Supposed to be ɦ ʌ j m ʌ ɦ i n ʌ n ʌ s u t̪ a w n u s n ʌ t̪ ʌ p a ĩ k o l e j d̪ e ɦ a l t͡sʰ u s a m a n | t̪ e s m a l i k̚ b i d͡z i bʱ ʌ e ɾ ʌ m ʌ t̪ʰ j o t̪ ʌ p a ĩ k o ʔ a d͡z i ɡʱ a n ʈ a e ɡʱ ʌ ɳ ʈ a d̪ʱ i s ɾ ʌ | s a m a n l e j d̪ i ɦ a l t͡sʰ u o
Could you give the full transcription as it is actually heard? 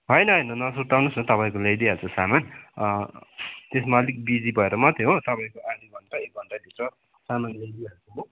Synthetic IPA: ɦ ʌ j n ʌ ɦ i n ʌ n ʌ s u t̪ a w n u s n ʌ t̪ ʌ p a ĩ k o l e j d̪ i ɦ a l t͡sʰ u s a m a n | t̪ e s m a l i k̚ b i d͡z i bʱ ʌ e ɾ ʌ m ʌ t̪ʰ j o t̪ ʌ p a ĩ k o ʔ a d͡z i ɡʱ ʌ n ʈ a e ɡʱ ʌ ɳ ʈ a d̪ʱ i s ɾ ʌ | s a m a n l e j d̪ i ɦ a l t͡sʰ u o